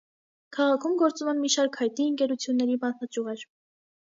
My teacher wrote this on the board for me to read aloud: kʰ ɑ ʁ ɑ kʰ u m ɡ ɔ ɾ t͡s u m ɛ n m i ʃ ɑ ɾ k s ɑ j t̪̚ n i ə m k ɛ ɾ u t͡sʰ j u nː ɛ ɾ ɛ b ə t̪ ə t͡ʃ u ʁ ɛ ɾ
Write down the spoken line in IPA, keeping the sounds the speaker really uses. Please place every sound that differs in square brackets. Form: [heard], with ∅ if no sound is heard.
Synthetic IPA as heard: kʰ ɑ ʁ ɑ kʰ u m ɡ ɔ ɾ t͡s u m ɛ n m i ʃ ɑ ɾ k [h] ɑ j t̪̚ n i ə [ŋ] k ɛ ɾ u t͡sʰ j u nː ɛ ɾ [i] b [ɑ] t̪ [ɑ] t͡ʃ u ʁ ɛ ɾ